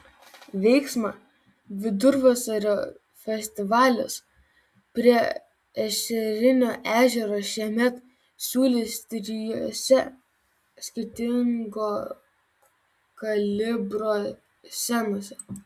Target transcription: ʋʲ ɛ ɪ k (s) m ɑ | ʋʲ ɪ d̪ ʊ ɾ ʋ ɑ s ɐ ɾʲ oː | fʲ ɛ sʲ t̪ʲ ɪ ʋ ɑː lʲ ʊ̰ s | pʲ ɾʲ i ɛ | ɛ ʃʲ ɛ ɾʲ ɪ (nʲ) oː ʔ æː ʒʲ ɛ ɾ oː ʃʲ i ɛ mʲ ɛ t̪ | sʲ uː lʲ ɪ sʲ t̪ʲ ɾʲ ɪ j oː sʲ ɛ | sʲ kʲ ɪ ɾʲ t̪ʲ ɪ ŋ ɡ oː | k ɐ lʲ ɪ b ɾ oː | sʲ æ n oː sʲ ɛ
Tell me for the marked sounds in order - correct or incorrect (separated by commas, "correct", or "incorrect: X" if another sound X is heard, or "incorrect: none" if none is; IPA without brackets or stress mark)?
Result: correct, correct